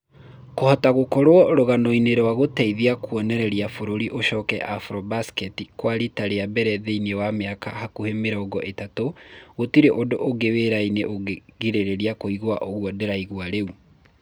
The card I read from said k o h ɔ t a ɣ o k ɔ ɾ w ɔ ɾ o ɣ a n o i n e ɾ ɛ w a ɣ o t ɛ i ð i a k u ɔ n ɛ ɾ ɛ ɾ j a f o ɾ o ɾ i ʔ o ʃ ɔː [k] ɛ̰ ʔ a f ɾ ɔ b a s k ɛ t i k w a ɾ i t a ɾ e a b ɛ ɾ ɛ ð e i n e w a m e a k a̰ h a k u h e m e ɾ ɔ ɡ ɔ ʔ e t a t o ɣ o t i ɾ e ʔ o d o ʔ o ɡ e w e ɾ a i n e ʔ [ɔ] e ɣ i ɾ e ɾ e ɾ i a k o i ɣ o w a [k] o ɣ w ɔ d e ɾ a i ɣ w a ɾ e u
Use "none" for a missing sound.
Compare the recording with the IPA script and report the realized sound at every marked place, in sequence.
k, o, ʔ

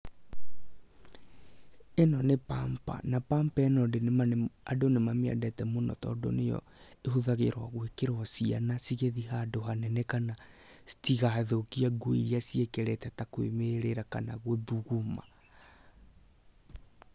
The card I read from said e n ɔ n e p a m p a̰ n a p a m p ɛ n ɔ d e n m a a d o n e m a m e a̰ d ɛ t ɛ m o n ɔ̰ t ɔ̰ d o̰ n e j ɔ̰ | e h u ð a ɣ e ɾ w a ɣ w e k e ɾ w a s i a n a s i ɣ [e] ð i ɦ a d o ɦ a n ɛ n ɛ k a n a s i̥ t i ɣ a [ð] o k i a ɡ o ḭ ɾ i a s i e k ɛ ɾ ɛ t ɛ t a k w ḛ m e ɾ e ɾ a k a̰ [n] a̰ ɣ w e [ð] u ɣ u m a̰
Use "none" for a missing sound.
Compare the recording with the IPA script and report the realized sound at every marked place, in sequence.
e, ð, n, ð

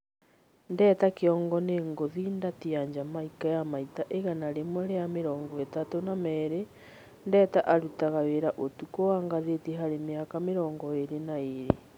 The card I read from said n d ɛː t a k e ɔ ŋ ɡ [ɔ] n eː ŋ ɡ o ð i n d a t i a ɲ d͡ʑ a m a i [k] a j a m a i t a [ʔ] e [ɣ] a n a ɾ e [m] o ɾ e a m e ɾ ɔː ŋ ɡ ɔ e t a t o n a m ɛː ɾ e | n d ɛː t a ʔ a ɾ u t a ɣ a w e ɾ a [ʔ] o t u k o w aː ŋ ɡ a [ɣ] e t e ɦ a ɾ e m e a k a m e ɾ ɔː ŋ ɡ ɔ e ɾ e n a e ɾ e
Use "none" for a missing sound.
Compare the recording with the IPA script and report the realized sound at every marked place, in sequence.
ɔ, k, ʔ, ɣ, m, ʔ, ð

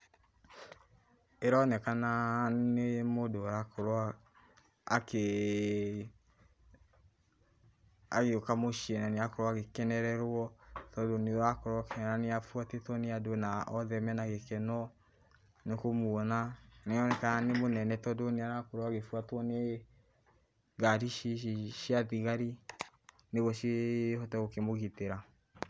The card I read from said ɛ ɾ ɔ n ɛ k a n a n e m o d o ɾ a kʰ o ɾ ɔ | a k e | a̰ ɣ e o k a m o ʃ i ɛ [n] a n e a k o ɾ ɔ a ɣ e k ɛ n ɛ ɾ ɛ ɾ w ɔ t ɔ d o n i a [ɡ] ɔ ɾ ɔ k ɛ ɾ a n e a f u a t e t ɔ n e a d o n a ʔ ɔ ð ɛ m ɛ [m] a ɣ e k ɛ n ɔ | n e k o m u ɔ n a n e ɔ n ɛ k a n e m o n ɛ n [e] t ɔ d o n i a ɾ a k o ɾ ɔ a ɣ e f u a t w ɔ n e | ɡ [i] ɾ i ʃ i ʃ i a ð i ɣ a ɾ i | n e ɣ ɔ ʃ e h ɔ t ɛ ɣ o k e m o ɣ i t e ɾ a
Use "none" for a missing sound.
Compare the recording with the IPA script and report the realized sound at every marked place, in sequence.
n, k, n, ɛ, a

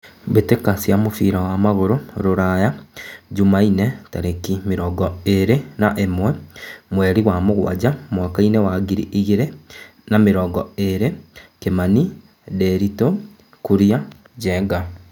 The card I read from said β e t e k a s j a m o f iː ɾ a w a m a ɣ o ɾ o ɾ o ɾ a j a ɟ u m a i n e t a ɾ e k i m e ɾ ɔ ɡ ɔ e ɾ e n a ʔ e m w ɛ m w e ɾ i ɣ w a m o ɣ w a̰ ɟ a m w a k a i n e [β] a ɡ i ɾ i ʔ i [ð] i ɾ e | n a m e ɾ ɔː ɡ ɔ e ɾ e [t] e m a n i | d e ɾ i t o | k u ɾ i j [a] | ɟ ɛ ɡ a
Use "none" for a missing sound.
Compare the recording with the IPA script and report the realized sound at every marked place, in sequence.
w, ɣ, k, a

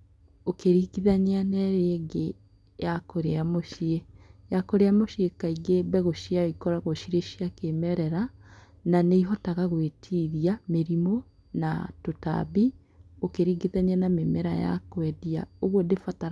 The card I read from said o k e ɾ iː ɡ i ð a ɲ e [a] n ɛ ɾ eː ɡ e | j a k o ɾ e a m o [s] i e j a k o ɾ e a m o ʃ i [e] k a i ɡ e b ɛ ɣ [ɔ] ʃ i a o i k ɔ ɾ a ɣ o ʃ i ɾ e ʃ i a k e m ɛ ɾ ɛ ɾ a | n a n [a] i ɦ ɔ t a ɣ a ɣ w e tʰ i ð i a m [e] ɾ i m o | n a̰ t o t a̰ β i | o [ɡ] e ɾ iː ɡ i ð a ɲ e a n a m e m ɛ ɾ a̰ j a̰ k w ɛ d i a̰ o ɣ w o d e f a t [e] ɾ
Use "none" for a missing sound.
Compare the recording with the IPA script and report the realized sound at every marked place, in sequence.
a, ʃ, e, o, e, e, k, a

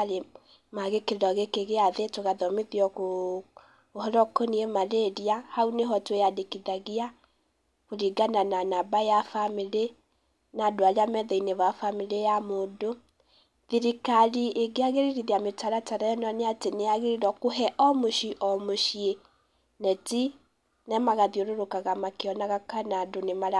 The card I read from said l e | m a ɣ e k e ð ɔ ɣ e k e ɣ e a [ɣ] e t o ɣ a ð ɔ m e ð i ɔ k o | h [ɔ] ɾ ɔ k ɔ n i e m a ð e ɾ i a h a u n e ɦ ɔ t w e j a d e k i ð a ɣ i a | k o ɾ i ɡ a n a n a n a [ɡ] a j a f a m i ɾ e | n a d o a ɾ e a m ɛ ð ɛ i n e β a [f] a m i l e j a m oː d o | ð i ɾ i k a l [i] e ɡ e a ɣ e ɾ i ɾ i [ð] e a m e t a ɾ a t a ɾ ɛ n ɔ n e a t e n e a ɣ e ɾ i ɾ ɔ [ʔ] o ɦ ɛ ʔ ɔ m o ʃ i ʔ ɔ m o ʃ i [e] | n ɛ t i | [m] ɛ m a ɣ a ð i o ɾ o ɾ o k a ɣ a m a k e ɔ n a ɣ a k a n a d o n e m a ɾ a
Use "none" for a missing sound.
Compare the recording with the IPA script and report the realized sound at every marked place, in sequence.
ð, ɔ, b, f, i, ð, k, e, n

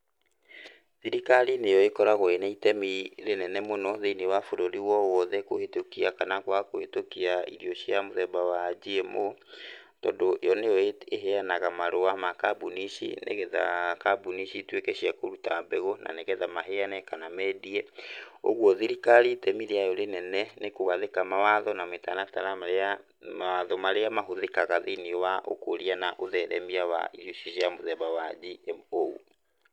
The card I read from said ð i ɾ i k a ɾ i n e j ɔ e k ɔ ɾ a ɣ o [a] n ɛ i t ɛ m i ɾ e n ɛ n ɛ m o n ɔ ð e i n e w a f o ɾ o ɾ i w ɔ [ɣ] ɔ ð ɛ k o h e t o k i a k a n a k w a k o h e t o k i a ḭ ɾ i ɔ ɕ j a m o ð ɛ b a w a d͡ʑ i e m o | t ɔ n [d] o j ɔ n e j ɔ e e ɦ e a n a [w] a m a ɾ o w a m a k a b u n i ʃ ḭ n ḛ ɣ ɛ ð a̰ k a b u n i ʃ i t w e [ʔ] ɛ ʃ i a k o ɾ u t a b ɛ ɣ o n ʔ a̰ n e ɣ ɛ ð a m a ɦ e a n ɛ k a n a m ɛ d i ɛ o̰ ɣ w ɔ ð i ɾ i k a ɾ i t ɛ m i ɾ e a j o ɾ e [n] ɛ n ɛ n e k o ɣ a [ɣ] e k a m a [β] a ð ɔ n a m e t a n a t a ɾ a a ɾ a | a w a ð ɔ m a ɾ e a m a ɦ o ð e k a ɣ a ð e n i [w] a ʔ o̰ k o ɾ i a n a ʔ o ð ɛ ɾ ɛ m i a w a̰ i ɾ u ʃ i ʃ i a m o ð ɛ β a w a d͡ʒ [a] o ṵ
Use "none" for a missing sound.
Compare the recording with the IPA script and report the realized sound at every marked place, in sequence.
e, w, d, ɣ, k, n, ð, w, w, i

